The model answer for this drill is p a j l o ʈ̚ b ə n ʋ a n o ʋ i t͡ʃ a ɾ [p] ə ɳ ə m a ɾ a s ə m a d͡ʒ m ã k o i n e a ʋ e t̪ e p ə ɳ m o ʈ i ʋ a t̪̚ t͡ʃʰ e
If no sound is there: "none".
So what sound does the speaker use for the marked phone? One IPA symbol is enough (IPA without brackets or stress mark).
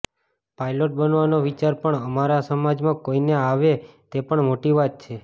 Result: p